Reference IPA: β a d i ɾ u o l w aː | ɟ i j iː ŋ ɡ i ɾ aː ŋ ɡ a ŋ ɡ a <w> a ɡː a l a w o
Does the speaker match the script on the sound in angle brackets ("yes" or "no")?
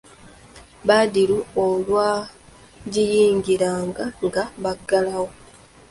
no